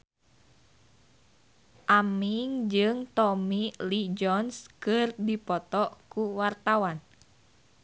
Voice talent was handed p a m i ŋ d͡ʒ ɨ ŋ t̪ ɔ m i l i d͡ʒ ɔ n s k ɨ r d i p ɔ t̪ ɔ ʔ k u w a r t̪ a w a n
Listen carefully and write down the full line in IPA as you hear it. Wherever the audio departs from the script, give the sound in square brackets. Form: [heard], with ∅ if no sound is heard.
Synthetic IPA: [ʔ] a m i ŋ d͡ʒ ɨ ŋ t̪ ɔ m i l i d͡ʒ ɔ n s k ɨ r d i p ɔ t̪ ɔ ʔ k u w a r t̪ a w a n